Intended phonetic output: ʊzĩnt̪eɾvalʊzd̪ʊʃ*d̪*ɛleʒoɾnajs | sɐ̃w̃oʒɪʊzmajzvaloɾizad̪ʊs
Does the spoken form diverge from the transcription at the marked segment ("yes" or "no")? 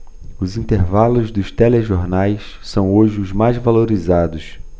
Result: yes